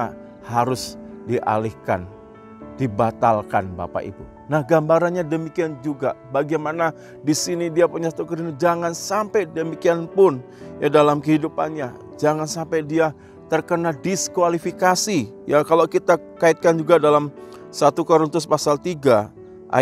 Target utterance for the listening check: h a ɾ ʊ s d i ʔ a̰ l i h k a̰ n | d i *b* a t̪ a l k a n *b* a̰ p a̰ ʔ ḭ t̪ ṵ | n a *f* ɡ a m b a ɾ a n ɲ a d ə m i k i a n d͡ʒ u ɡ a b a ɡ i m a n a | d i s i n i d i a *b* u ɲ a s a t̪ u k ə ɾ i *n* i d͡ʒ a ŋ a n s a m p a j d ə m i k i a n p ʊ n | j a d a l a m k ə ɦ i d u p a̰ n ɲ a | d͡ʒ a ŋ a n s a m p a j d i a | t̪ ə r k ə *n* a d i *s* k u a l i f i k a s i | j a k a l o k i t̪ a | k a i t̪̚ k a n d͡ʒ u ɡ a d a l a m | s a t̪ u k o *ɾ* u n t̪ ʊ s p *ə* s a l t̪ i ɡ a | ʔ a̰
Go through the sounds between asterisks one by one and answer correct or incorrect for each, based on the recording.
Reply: correct, correct, incorrect: h, incorrect: p, correct, correct, correct, correct, incorrect: a

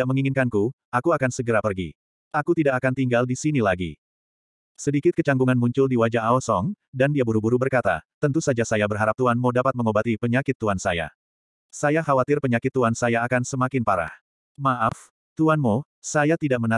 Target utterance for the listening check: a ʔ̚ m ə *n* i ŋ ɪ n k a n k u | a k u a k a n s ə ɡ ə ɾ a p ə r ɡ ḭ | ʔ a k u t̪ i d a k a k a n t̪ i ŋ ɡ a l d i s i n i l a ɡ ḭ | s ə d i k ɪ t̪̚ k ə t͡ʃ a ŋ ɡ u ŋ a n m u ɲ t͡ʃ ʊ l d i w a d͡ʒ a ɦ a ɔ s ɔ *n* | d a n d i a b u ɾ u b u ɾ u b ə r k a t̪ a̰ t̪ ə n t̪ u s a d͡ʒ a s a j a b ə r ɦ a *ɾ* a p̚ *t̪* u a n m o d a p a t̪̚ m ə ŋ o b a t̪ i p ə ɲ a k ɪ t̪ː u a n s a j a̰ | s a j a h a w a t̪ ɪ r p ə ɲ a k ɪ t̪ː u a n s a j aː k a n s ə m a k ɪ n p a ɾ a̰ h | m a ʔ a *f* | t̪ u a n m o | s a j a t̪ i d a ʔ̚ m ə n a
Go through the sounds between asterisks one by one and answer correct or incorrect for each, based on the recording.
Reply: incorrect: ŋ, incorrect: ŋ, correct, correct, correct

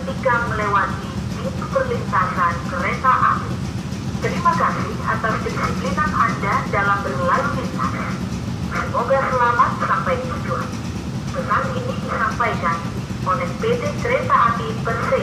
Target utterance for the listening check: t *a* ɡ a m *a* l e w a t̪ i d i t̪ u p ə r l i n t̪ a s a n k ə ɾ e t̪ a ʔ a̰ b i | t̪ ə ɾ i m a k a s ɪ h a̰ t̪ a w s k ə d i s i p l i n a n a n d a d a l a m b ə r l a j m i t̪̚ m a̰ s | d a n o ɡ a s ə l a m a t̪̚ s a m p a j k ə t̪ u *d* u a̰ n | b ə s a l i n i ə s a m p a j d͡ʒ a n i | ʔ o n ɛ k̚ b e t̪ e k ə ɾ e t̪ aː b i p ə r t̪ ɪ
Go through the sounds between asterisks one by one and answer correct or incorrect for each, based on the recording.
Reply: incorrect: i, incorrect: ə, incorrect: d͡ʒ

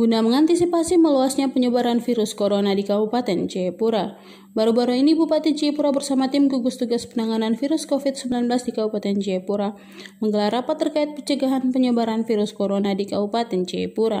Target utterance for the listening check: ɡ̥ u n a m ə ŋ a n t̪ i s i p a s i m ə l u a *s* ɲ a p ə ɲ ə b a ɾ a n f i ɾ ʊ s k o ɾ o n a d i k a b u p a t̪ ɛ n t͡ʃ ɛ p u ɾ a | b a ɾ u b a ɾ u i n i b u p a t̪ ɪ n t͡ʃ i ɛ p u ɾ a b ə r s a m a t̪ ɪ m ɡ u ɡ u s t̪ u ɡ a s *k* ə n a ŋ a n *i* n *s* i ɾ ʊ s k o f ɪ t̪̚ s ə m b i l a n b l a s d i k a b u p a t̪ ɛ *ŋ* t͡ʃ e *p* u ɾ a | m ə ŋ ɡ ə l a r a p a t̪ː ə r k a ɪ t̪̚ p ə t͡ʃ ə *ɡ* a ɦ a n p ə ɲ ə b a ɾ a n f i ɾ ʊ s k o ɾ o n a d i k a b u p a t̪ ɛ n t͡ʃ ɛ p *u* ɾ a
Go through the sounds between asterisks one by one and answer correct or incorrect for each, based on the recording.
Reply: correct, incorrect: p, incorrect: a, incorrect: f, incorrect: n, correct, correct, correct

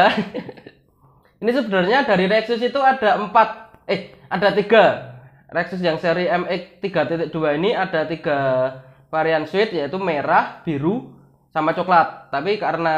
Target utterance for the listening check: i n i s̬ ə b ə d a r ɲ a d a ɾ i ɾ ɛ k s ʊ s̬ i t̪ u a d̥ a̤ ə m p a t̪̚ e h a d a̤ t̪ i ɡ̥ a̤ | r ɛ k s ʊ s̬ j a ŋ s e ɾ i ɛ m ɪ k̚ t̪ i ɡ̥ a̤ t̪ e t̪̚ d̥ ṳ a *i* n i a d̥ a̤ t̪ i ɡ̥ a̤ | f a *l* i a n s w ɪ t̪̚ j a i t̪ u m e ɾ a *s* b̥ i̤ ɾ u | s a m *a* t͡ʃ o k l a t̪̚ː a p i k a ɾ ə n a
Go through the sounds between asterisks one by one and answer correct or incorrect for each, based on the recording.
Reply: correct, incorrect: ɾ, incorrect: h, correct

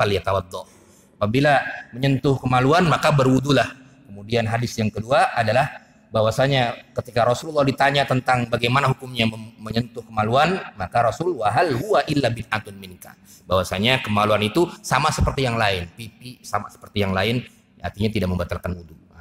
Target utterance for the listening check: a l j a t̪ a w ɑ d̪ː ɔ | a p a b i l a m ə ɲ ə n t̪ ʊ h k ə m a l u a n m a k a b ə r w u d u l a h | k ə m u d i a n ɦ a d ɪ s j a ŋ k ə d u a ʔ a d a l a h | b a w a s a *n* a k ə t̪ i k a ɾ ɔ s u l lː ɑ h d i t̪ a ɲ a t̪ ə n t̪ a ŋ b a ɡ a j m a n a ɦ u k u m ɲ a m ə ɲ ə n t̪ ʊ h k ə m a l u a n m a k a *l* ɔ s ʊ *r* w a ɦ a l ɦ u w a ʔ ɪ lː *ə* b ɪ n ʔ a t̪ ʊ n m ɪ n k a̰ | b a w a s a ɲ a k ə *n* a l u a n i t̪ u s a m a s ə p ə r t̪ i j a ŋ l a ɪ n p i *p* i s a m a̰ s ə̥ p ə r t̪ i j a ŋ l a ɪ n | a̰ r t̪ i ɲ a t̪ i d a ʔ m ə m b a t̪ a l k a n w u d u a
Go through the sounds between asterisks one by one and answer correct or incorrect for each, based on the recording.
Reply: incorrect: ɲ, incorrect: ɾ, incorrect: l, incorrect: a, incorrect: m, correct

